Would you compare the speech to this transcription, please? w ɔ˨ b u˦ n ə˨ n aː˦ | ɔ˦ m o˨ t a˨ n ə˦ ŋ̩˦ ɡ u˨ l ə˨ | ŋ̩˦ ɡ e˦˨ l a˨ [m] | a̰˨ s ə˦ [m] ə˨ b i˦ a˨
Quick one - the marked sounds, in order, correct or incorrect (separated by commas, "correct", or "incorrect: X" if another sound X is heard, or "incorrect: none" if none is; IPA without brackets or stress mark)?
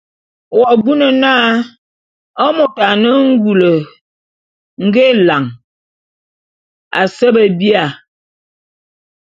incorrect: ŋ, incorrect: b